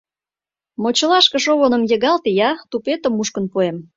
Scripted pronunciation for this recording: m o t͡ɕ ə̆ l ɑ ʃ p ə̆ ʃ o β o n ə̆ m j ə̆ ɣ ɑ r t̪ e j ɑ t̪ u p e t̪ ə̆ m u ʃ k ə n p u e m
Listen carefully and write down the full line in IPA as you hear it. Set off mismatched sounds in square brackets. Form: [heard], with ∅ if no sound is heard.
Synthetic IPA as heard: m o t͡ɕ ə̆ l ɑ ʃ [k] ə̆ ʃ o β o n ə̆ m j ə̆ ɣ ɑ [l] t̪ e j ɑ t̪ u p e t̪ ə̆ m u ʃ k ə n p u e m